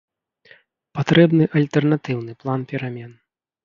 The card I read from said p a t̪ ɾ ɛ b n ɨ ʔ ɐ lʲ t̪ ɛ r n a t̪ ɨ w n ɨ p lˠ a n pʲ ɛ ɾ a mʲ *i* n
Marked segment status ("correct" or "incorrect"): incorrect